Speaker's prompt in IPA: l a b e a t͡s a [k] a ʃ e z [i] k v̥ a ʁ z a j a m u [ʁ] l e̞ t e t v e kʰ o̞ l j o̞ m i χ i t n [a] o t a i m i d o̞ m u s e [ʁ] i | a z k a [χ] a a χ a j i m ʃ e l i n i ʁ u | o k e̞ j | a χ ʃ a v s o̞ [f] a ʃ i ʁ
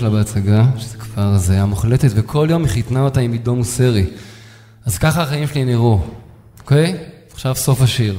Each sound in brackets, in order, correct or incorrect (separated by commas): incorrect, incorrect, incorrect, correct, correct, correct, correct